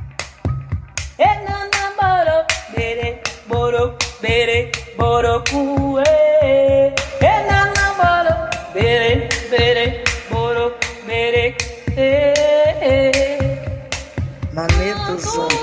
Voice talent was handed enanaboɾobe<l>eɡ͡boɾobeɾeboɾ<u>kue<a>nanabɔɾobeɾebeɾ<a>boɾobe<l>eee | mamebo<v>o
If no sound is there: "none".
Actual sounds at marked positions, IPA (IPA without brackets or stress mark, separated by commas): ɾ, o, e, e, ɾ, z